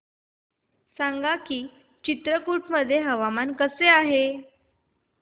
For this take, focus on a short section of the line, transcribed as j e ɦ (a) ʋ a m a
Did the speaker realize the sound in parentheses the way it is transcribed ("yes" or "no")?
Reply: no